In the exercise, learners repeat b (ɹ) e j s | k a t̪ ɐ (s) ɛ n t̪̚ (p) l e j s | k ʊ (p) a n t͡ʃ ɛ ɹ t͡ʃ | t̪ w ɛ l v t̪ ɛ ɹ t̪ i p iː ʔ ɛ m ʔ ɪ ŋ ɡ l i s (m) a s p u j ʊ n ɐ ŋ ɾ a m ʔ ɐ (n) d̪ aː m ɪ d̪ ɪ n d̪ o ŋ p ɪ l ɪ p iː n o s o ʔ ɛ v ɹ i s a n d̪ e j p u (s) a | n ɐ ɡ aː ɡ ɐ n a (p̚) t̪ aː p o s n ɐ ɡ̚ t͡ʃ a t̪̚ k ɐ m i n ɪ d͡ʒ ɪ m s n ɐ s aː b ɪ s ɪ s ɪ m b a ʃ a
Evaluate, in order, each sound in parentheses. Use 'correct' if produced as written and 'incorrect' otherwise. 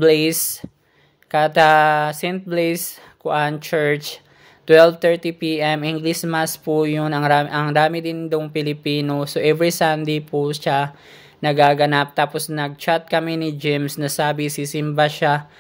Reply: incorrect, correct, incorrect, incorrect, correct, incorrect, incorrect, correct

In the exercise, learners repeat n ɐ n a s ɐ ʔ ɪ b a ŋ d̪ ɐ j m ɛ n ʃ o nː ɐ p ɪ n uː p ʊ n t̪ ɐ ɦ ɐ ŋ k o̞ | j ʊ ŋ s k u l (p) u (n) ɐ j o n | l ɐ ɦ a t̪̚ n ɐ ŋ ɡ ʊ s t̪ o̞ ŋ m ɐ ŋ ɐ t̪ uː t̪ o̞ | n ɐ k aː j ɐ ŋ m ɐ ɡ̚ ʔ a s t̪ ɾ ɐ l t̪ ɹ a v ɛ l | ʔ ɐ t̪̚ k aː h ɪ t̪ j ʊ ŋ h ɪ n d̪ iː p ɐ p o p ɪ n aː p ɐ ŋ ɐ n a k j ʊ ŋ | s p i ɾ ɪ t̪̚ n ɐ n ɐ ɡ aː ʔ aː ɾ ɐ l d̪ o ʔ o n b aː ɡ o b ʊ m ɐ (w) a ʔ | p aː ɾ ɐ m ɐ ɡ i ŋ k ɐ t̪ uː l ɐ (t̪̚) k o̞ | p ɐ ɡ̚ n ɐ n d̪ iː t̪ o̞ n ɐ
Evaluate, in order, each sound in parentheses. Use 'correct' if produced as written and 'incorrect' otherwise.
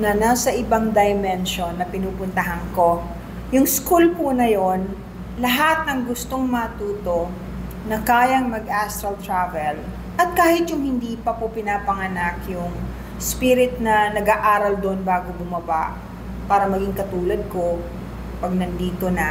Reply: correct, correct, incorrect, incorrect

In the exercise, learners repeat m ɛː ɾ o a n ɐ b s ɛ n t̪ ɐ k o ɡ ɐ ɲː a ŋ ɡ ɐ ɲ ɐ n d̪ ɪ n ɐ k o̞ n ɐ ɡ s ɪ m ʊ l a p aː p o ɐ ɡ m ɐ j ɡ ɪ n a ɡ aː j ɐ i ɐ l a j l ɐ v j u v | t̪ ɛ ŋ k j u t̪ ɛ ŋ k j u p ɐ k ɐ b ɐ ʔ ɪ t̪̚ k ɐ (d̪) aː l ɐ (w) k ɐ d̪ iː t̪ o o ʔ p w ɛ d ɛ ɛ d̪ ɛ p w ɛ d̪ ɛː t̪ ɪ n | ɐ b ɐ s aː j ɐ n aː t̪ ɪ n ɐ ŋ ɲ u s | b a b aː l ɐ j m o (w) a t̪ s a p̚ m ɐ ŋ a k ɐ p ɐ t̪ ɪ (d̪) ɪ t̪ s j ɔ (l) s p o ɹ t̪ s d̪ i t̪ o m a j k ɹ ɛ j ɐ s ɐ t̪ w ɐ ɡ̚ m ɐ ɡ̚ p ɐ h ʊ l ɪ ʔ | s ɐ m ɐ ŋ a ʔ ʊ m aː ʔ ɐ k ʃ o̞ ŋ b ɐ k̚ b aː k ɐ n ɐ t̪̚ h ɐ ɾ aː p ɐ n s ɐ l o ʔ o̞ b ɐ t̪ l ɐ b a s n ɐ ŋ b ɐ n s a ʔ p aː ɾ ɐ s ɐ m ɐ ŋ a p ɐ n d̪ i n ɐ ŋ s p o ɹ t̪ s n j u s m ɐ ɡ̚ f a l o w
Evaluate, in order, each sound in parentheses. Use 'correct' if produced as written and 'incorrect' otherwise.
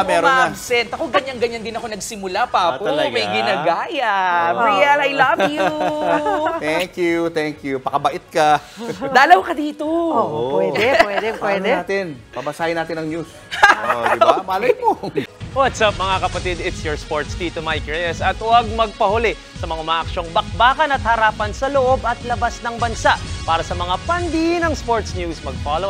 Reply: correct, correct, correct, correct, incorrect

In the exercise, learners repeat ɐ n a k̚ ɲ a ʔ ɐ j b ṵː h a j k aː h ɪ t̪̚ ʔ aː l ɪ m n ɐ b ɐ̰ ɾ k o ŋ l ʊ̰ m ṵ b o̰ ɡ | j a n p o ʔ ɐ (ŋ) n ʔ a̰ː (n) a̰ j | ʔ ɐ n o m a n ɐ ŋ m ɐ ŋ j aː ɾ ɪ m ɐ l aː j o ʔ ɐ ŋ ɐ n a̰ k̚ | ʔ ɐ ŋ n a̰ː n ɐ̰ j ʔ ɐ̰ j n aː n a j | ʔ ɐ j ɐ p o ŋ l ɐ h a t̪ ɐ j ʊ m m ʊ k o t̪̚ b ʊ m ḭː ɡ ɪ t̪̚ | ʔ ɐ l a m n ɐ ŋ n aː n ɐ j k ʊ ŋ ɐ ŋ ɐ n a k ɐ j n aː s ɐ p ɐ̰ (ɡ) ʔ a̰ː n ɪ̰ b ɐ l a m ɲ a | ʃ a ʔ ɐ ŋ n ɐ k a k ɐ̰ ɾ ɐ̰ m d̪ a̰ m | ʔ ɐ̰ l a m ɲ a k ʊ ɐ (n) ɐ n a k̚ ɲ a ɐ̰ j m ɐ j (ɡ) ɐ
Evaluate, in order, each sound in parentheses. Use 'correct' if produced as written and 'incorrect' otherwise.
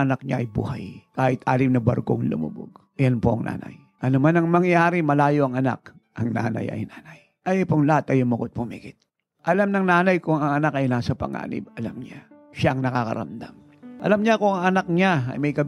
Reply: correct, correct, incorrect, incorrect, incorrect

